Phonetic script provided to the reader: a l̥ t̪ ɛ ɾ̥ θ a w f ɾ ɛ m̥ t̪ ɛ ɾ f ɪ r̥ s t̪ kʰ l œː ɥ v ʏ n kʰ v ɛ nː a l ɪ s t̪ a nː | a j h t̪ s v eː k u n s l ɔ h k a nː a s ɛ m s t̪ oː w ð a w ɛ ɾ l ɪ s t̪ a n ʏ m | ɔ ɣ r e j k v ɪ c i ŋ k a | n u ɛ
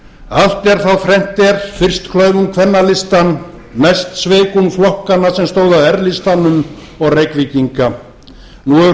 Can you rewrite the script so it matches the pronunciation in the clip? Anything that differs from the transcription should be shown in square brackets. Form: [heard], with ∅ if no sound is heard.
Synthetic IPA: a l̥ t̪ ɛ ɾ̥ θ a w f ɾ ɛ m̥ t̪ ɛ ɾ f ɪ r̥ s t̪ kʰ l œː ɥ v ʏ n kʰ v ɛ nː a l ɪ s t̪ a nː | a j [s] t̪ s v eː k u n [f] l ɔ h k a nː a s ɛ m s t̪ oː w ð a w ɛ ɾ l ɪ s t̪ a n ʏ m | ɔ ɣ r e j k v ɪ c i ŋ k a | n u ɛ